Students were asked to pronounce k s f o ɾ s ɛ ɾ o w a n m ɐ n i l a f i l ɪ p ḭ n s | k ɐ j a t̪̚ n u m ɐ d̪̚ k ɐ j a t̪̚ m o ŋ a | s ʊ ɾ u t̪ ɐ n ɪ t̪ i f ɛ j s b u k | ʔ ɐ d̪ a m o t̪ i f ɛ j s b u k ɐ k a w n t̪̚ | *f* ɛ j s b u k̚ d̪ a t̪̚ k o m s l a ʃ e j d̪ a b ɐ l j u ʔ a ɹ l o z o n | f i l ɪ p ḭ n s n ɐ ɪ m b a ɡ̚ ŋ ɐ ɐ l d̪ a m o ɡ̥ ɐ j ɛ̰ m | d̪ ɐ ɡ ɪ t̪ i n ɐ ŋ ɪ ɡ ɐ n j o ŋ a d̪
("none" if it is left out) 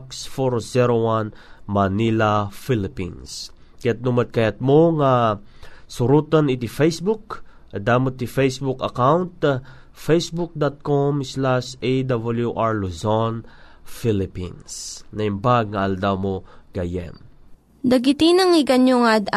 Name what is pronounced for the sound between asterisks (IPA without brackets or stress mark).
f